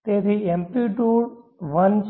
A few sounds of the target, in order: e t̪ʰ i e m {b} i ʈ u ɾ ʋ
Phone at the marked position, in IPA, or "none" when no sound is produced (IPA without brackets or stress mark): p